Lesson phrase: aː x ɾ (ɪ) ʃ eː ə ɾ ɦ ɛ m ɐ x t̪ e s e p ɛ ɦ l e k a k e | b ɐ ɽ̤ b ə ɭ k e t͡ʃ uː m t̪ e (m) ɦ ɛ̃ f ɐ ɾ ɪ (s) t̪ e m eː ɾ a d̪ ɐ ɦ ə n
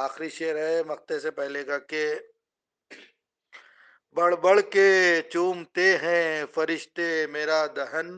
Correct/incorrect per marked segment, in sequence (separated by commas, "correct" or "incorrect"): incorrect, incorrect, incorrect